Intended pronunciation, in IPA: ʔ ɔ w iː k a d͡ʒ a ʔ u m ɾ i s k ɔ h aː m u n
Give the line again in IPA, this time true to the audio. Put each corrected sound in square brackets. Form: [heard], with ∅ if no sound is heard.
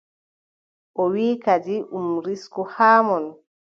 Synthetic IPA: ʔ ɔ w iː k a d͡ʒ [i] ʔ u m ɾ i s k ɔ h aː m [ɔ] n